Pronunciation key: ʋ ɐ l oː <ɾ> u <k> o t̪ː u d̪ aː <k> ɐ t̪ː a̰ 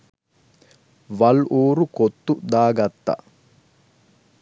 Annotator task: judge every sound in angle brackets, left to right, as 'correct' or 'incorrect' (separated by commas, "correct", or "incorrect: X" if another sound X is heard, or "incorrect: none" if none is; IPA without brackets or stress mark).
correct, correct, incorrect: ɡ